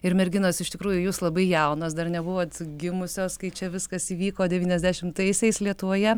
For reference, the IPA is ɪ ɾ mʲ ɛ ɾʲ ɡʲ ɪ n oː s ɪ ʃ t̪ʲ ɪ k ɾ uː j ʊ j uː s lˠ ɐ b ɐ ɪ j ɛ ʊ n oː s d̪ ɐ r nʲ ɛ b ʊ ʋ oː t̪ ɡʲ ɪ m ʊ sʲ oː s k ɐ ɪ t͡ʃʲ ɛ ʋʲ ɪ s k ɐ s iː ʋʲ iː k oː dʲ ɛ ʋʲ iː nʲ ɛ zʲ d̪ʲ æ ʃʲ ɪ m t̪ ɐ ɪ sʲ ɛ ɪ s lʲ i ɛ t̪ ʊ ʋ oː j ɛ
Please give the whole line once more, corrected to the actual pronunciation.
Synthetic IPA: ɪ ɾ mʲ ɛ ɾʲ ɡʲ ɪ n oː s ɪ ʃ t̪ʲ ɪ k ɾ uː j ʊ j uː s lˠ ɐ b ɐ ɪ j ɛ ʊ n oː s d̪ ɐ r nʲ ɛ b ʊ ʋ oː t̪ ɡʲ ɪ m ʊ sʲ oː s k ɐ ɪ t͡ʃʲ ɛ ʋʲ ɪ s k ɐ s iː ʋʲ iː k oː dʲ ɛ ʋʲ iː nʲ ɛ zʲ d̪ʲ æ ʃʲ ɪ m t̪ ɐ ɪ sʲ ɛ ɪ s lʲ i ɛ t̪ ʊ ʋ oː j ɛ